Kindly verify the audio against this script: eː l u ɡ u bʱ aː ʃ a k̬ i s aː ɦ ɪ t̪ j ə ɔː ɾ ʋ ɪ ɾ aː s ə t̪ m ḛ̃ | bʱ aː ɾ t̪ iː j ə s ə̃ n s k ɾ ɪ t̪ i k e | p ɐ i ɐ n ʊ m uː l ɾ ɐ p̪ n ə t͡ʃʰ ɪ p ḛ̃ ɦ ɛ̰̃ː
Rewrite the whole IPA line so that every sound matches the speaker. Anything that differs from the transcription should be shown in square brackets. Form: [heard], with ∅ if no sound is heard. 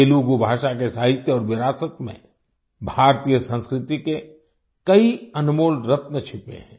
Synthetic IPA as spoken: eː l u ɡ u bʱ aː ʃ a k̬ [e] s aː ɦ ɪ t̪ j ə ɔː ɾ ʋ ɪ ɾ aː s ə t̪ m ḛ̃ | bʱ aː ɾ t̪ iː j ə s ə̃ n s k ɾ ɪ t̪ i k e | [k] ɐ i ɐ n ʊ m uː l ɾ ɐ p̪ n ə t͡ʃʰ ɪ p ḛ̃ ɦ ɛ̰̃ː